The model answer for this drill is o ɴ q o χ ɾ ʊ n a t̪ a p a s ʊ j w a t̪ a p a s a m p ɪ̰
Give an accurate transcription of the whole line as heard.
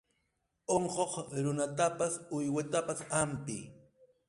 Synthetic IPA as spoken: o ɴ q o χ ɾ ʊ n a t̪ a p a s ʊ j w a t̪ a p a s a m p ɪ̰